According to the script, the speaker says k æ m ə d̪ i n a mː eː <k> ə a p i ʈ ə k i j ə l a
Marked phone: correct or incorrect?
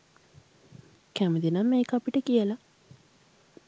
correct